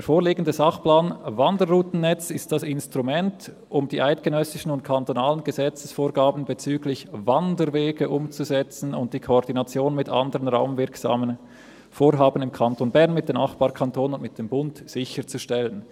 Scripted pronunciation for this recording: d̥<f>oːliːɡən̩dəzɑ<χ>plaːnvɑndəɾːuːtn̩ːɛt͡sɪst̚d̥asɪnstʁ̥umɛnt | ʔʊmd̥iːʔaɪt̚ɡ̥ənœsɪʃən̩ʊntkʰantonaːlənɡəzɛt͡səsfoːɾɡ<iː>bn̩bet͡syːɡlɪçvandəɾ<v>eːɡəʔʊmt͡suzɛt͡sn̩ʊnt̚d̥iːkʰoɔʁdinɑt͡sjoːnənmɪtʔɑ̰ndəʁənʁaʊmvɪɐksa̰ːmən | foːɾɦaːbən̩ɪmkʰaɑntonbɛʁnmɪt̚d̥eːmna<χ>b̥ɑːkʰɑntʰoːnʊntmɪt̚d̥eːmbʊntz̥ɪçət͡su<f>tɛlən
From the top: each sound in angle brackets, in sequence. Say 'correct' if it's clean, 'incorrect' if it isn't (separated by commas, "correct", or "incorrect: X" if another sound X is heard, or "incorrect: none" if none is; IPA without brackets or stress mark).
correct, correct, incorrect: aː, correct, correct, incorrect: ʃ